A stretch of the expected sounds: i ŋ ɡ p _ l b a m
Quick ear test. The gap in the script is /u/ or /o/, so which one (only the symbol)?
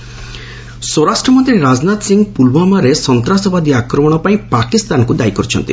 u